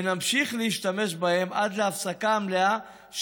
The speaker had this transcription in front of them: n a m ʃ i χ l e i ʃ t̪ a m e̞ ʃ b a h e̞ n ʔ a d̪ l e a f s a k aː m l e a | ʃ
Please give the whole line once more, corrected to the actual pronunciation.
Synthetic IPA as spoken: n a m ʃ i χ l e i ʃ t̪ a m e̞ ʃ b a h e̞ m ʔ a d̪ l e a f s a k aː m l e a | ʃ